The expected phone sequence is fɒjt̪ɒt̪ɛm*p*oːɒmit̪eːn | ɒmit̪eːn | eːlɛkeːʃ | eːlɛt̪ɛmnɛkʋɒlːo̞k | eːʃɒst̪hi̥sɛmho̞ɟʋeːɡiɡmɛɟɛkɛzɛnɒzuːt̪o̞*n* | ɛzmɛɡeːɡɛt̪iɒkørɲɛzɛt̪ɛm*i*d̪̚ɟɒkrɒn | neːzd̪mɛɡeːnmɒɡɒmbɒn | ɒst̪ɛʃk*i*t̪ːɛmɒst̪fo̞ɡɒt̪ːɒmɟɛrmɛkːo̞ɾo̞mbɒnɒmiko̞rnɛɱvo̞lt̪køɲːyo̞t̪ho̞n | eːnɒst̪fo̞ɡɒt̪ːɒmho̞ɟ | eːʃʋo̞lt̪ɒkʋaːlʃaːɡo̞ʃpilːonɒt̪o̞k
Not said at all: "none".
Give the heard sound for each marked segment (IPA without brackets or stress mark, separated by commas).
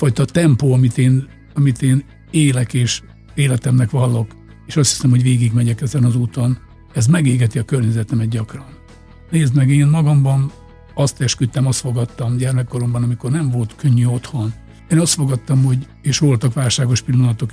p, n, ɛ, y